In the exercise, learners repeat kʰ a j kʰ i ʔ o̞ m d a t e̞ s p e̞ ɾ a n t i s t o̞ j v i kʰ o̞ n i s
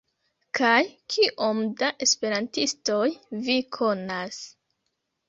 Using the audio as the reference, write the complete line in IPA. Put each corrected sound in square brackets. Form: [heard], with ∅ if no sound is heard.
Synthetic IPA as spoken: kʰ a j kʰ i ʔ o̞ m d a [ʔ] e̞ s p e̞ ɾ a n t i s t o̞ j v i kʰ o̞ n [a] s